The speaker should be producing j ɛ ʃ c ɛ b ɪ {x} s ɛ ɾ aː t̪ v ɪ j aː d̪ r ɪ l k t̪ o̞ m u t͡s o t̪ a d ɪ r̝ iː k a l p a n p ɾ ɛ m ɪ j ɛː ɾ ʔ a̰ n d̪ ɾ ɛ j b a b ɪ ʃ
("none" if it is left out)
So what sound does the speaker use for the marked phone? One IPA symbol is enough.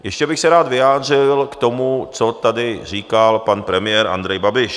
x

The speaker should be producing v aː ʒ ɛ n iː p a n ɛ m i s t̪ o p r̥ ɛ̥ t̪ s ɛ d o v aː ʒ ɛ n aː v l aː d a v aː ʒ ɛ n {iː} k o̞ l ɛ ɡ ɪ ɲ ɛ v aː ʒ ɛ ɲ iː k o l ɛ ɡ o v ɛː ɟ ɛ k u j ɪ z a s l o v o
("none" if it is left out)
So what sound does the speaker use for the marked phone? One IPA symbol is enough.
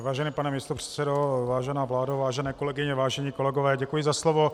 ɛː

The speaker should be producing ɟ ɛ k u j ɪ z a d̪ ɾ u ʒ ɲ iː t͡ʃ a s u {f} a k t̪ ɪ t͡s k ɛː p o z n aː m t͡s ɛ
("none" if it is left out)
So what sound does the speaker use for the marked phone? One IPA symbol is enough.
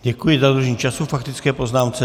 f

